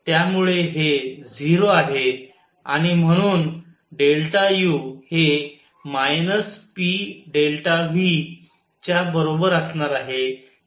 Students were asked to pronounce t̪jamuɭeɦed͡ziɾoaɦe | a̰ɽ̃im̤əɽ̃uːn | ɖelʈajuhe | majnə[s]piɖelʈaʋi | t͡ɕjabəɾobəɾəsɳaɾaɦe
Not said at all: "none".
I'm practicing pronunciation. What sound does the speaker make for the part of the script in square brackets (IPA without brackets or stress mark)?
s